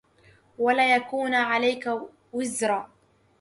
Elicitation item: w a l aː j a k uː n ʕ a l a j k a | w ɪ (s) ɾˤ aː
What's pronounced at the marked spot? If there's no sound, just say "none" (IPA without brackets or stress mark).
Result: z